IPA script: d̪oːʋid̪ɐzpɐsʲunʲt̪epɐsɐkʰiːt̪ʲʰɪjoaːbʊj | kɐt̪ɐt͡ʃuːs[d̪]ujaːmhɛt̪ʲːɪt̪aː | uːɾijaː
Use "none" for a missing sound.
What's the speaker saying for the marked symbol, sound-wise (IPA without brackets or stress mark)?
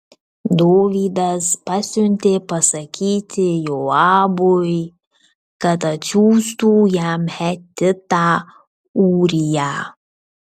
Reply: t̪